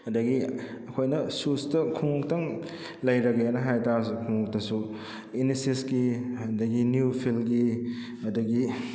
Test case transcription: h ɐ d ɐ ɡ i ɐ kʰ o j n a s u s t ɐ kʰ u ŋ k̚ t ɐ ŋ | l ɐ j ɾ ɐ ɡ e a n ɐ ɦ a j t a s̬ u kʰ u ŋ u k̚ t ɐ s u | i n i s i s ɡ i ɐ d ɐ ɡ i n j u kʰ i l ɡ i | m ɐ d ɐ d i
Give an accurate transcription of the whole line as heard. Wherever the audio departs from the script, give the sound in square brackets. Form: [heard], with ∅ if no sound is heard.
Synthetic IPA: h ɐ d ɐ ɡ i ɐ kʰ o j n [ɐ] s u s t ɐ kʰ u ŋ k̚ t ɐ ŋ | l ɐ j ɾ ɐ ɡ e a n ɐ ɦ a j t a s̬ u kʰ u ŋ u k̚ t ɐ s u | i n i s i s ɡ i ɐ d ɐ ɡ i n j u [pʰ] i l ɡ i | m ɐ d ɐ [ɡ] i